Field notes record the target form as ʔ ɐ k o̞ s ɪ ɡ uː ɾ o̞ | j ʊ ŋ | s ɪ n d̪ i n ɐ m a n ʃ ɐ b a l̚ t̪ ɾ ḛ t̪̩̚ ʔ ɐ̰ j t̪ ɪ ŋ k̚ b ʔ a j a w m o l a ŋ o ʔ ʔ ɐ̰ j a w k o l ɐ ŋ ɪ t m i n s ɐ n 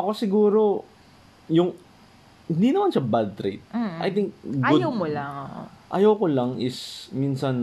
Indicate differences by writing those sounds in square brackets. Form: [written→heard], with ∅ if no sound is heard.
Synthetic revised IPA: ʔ ɐ k o̞ s ɪ ɡ uː ɾ o̞ | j ʊ ŋ | [s→h] ɪ n d̪ i n ɐ m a n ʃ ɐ b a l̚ t̪ ɾ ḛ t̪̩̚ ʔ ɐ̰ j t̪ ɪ ŋ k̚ [b→ɡ] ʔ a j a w m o l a ŋ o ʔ ʔ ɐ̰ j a w k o l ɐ ŋ ɪ [t→s] m i n s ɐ n